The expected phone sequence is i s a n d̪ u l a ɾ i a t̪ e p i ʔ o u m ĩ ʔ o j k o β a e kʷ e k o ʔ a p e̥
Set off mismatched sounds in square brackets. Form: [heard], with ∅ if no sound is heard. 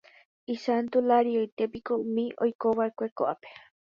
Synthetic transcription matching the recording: i s a n [t̪] u l a ɾ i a t̪ e p i [k] o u m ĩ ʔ o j k o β a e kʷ e k o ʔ a p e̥